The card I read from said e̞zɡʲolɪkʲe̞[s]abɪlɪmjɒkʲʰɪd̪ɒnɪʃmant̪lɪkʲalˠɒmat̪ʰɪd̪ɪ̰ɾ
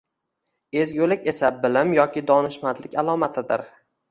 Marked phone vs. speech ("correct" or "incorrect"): correct